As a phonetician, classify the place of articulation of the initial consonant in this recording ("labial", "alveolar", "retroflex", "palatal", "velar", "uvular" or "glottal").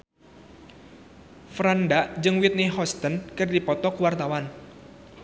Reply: labial